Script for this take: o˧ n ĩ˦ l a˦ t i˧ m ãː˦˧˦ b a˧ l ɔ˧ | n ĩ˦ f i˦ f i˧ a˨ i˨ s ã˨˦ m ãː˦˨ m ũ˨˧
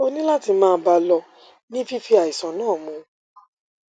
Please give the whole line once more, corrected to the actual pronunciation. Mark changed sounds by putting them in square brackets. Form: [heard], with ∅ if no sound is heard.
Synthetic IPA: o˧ n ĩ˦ l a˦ t i˧ m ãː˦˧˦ b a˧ l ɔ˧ | n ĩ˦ f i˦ f i˧ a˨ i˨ s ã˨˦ [n] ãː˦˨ m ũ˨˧